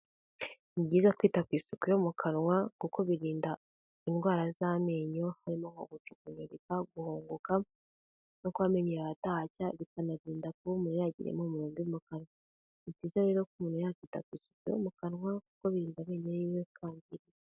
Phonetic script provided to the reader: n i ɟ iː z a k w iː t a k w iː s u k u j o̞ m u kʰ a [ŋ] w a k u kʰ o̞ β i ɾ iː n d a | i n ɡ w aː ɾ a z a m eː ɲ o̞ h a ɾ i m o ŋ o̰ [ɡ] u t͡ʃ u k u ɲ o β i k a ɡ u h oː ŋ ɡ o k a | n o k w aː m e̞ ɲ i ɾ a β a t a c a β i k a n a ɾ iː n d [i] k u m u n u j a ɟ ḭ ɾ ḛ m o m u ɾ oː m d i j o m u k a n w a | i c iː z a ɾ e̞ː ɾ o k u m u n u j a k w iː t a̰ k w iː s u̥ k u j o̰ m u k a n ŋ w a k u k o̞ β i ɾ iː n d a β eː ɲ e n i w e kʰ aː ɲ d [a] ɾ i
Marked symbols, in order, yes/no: no, yes, no, no

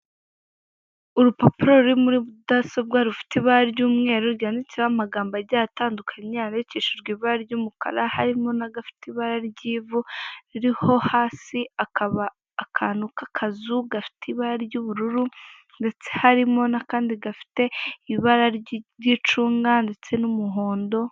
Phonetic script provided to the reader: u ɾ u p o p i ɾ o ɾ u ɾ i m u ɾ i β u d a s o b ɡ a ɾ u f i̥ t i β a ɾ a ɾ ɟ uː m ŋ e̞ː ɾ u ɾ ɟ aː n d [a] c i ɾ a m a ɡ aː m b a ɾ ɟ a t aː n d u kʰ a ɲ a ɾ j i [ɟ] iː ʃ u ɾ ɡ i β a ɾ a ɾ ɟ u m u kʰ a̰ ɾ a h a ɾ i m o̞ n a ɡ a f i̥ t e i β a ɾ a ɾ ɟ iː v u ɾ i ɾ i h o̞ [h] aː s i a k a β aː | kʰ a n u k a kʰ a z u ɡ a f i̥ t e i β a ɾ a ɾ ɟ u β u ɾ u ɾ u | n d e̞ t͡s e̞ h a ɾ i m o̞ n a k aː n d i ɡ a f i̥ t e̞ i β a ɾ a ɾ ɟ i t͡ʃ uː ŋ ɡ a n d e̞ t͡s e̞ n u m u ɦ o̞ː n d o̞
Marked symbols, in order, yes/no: no, no, yes

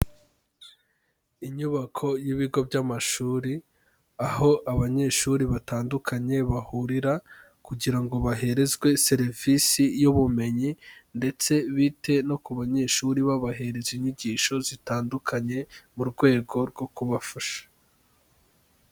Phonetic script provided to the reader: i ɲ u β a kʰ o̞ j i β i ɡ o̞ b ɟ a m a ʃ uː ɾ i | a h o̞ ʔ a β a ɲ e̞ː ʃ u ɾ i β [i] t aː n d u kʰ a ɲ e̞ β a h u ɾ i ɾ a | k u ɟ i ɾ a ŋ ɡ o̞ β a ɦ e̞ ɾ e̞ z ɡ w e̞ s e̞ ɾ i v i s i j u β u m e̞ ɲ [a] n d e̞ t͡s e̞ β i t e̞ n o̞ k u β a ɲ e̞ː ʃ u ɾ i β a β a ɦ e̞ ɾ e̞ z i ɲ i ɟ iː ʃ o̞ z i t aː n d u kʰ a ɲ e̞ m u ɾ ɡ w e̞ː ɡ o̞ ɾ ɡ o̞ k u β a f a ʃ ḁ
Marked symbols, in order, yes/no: no, no

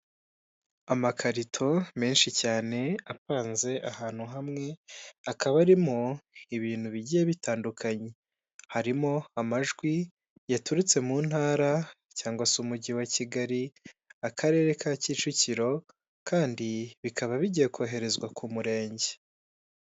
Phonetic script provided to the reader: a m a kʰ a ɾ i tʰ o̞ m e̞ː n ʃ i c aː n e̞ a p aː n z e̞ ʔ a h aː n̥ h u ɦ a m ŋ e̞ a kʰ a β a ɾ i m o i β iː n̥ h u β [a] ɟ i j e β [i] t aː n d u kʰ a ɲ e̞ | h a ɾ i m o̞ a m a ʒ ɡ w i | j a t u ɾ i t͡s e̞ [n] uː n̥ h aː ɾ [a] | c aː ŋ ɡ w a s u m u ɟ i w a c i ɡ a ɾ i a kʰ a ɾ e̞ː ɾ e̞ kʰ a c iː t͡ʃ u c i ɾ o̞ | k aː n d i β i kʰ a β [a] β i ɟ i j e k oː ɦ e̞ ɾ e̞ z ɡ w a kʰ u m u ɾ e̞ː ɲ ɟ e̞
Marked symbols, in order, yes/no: no, yes, no, yes, yes

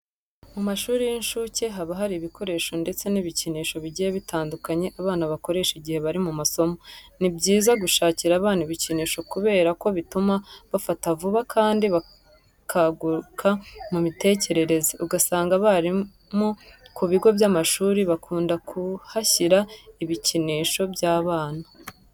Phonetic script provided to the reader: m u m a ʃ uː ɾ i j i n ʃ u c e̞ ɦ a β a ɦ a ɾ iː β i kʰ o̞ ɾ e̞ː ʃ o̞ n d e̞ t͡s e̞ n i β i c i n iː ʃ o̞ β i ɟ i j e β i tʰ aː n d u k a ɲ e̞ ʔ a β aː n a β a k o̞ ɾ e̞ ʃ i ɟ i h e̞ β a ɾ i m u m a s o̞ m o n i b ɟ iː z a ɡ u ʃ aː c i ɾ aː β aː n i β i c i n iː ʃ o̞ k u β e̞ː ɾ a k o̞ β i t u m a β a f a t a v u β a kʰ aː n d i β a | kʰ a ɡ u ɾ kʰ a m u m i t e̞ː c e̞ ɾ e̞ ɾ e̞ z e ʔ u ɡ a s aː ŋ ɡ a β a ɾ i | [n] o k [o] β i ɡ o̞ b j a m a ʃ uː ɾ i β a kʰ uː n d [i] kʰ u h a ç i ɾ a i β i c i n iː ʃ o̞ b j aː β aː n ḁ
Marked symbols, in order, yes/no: no, no, no

